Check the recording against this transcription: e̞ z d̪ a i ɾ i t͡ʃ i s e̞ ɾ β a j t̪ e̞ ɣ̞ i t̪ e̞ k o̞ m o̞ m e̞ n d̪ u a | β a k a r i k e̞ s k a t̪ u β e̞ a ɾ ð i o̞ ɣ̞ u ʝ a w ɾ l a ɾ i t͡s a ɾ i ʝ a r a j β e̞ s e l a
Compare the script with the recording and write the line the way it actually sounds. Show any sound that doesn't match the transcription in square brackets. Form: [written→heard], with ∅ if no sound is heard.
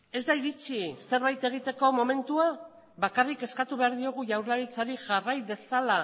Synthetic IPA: e̞ z d̪ a i ɾ i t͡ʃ i s e̞ ɾ β a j t̪ e̞ ɣ̞ i t̪ e̞ k o̞ m o̞ m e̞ n [d̪→t̪] u a | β a k a r i k e̞ s k a t̪ u β e̞ a ɾ ð i o̞ ɣ̞ u ʝ a w ɾ l a ɾ i t͡s a ɾ i ʝ a r a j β e̞ s [e→a] l a